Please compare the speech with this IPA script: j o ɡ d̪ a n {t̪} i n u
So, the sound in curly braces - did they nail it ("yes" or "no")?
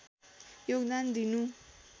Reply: no